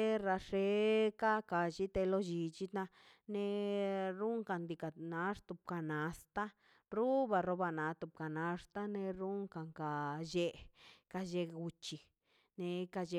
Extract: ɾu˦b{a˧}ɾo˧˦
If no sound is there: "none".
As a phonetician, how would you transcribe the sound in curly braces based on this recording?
a˧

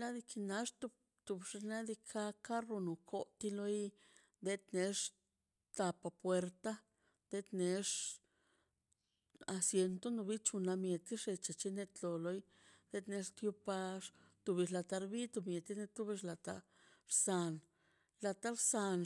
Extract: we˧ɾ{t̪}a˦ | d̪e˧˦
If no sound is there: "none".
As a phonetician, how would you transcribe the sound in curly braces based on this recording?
t̪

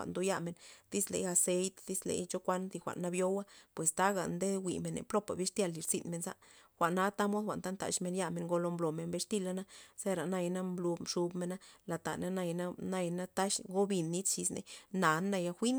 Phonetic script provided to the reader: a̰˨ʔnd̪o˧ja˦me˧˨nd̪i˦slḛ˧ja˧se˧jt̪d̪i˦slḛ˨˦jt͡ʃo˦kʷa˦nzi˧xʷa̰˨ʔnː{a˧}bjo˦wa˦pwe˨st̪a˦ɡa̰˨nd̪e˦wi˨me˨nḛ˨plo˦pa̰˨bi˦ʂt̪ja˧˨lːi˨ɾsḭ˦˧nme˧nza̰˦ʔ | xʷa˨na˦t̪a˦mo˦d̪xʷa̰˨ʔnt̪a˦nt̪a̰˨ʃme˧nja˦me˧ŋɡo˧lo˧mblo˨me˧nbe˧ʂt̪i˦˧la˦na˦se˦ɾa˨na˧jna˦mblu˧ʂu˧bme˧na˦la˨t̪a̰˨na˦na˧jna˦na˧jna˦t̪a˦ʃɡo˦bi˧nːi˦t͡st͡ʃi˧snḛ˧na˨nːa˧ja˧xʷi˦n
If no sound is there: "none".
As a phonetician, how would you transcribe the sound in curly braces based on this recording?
a˧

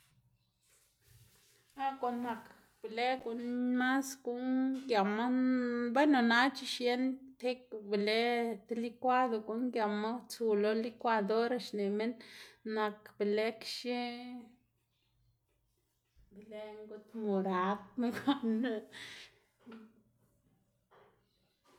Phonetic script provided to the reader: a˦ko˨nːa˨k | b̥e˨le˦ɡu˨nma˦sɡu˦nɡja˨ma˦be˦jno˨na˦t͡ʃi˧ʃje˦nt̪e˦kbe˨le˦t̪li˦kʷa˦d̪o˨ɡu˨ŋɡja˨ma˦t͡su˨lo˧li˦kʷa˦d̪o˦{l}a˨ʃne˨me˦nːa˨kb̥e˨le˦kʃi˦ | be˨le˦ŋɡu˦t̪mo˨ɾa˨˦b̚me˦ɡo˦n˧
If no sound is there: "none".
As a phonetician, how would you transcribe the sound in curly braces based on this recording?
ɾ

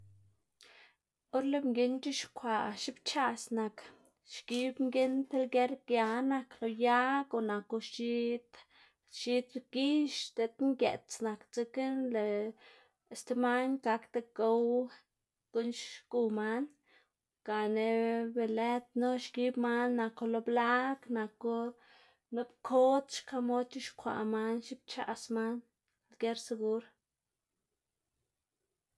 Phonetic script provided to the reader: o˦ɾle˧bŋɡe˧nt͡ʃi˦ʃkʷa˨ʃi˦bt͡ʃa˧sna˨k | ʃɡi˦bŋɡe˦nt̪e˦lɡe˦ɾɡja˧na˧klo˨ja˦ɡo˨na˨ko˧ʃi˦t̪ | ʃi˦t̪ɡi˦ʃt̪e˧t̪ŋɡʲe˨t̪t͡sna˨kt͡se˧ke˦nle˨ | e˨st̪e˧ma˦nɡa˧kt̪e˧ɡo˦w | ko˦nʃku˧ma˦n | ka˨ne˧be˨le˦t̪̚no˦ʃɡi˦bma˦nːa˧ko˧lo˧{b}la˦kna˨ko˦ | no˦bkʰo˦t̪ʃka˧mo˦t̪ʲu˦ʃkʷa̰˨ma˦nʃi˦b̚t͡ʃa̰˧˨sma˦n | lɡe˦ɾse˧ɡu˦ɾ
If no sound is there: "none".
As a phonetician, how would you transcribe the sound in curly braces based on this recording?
b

